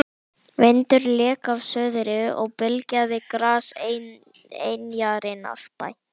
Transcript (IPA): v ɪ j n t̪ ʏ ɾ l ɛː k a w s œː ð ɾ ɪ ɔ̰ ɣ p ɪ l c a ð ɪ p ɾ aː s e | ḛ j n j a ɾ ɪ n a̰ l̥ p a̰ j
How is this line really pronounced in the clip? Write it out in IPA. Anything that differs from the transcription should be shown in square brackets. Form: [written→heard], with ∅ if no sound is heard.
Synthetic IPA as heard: v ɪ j n t̪ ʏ ɾ l ɛː k a [w→v] s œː ð ɾ ɪ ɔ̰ ɣ p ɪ l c a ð ɪ [p→k] ɾ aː s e | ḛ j n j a ɾ ɪ n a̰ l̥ p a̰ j